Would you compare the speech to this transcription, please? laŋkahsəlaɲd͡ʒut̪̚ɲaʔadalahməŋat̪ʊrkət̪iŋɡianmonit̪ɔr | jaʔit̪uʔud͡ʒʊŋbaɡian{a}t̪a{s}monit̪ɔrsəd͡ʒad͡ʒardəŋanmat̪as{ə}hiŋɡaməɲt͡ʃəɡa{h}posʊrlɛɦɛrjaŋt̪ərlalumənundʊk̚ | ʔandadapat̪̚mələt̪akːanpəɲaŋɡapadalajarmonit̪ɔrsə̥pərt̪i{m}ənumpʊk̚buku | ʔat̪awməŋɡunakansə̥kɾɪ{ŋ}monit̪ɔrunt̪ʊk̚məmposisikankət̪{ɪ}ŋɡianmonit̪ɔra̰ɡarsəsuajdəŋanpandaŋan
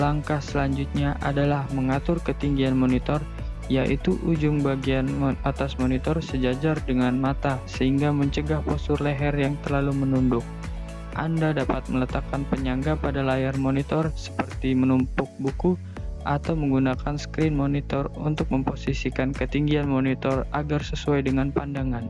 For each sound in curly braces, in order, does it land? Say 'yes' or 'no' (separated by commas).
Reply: yes, yes, yes, yes, yes, no, no